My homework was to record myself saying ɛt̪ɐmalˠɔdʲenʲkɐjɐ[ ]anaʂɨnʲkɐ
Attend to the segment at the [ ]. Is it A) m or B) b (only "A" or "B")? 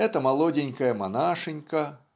A